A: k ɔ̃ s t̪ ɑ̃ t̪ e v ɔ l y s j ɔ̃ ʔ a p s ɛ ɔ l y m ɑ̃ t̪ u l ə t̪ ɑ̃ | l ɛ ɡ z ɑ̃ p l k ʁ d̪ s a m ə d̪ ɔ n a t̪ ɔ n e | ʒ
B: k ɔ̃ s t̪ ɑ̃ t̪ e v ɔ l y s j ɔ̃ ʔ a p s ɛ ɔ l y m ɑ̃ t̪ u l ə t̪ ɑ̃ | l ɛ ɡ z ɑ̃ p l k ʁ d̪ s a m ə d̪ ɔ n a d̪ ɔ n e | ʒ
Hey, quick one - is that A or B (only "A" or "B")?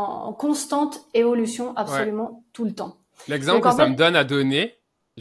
B